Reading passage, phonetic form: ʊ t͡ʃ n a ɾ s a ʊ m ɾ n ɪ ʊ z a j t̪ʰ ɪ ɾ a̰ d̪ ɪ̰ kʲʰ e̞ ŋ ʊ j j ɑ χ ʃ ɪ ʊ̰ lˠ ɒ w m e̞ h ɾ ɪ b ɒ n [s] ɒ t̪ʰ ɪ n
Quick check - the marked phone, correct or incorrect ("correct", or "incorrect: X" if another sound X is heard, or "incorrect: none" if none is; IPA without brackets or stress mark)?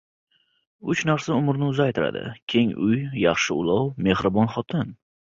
incorrect: χ